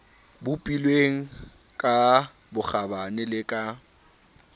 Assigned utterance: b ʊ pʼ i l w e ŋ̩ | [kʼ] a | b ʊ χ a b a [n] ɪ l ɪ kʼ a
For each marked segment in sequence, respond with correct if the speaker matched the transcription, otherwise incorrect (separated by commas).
correct, correct